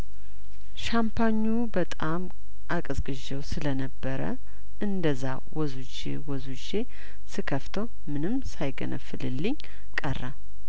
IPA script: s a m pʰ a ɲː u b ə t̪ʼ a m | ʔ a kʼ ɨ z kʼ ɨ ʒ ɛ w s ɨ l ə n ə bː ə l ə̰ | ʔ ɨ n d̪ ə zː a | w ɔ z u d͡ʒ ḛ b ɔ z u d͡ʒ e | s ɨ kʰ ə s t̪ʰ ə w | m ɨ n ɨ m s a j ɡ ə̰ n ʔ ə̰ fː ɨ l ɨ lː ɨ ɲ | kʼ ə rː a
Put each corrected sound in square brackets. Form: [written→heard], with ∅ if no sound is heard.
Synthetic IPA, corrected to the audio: [s→ʃ] a m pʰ a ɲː u b ə t̪ʼ a m | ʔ a kʼ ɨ z kʼ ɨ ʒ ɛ w s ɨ l ə n ə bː ə [l→ɾ] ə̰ | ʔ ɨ n d̪ ə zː a | w ɔ z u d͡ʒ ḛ [b→w] ɔ z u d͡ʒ e | s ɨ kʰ ə [s→f] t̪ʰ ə w | m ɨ n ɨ m s a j ɡ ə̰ n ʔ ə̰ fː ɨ l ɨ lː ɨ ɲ | kʼ ə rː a